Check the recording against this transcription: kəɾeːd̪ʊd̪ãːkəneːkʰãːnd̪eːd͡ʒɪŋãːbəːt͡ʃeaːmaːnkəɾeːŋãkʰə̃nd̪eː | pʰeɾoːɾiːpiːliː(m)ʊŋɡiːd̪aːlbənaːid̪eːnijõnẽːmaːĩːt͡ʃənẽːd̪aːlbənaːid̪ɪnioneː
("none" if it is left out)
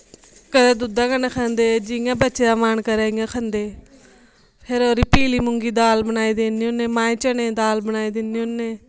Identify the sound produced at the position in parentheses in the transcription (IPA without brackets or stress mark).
m